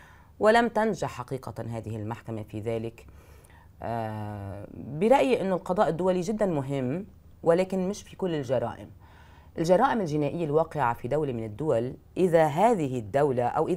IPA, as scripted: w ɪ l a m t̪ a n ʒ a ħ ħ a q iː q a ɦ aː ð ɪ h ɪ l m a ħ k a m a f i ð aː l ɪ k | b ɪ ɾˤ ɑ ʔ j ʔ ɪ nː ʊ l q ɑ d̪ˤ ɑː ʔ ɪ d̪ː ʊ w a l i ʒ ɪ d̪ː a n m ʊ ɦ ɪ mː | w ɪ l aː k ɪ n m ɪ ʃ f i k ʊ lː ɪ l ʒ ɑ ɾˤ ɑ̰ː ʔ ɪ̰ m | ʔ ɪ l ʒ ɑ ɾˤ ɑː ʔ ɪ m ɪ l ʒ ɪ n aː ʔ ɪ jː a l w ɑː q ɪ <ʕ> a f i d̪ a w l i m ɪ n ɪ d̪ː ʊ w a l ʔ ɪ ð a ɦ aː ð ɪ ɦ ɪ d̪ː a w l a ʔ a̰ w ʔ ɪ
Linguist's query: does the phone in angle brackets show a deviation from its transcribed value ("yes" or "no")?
no